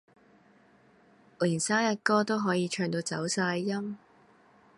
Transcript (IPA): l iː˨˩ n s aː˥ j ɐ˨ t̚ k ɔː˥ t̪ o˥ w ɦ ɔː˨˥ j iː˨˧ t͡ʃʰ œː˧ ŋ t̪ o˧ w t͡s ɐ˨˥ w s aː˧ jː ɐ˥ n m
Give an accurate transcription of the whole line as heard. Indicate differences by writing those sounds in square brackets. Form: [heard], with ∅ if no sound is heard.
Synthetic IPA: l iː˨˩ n s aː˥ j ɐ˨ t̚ k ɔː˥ t̪ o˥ w ɦ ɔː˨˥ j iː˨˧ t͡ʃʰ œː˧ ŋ t̪ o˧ w t͡s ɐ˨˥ w s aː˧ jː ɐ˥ [∅] m

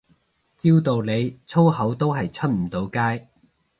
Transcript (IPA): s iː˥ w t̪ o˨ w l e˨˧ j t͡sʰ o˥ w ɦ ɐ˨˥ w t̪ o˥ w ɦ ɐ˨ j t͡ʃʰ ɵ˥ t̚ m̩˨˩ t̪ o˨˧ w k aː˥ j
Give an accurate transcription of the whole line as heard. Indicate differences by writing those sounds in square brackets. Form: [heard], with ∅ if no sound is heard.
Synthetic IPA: [t͡s] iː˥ w t̪ o˨ w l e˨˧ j t͡sʰ o˥ w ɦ ɐ˨˥ w t̪ o˥ w ɦ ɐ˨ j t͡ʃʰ ɵ˥ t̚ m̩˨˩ t̪ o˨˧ w k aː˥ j

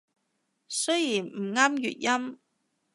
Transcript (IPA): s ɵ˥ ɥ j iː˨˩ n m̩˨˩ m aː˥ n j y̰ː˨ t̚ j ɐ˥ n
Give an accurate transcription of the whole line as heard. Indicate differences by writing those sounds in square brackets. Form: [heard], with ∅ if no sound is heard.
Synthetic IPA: s ɵ˥ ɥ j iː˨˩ n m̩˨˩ [ŋ] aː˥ [m] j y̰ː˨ t̚ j ɐ˥ [m]

